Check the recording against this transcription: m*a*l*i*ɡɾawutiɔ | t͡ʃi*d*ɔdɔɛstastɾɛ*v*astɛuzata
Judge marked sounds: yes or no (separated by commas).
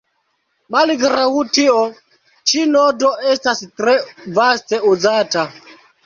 yes, yes, no, yes